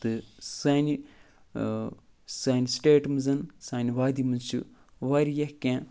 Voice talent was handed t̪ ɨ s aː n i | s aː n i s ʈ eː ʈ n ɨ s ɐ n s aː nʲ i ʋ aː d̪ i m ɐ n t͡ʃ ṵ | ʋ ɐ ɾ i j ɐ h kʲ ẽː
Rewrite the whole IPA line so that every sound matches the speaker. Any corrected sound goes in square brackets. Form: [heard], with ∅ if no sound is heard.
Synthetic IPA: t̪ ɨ s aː n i | s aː n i s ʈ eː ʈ [m] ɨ [z] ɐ n s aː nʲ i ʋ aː d̪ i m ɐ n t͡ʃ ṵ | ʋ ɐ ɾ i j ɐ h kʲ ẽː